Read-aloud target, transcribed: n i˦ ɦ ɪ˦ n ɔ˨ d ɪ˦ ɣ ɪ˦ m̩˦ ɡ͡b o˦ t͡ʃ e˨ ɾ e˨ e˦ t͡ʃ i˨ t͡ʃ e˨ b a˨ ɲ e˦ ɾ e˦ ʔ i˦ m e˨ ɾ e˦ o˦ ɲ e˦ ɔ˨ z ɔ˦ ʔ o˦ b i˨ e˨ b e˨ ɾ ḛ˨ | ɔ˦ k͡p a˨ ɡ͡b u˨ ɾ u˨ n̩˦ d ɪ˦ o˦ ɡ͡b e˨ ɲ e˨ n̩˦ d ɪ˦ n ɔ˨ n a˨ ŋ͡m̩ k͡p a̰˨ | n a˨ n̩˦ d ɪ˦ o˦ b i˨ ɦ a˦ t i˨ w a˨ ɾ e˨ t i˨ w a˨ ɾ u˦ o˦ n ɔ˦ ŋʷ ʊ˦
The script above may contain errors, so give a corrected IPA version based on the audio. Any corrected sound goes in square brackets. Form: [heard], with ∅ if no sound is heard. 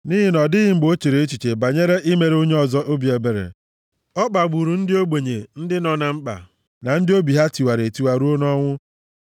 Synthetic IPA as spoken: n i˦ ɦ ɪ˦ n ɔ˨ d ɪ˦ ɣ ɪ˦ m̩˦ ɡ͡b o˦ t͡ʃ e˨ ɾ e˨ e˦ t͡ʃ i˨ t͡ʃ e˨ b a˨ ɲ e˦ ɾ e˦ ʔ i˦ m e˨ ɾ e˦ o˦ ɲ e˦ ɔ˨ z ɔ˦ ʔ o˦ b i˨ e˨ b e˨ ɾ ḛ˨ | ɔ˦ k͡p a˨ ɡ͡b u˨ ɾ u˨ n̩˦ d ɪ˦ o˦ ɡ͡b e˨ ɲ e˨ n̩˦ d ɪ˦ n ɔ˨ n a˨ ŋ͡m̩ k͡p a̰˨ | n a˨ n̩˦ d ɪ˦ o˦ b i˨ ɦ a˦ t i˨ w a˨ ɾ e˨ t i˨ w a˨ ɾ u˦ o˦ n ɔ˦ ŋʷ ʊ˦